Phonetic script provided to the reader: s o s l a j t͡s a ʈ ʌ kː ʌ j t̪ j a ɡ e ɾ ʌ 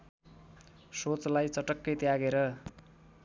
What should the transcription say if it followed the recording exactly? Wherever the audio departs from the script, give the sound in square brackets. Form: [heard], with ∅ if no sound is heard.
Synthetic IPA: s o [t͡s] l a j t͡s [ʌ] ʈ ʌ kː ʌ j t̪ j a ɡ e ɾ ʌ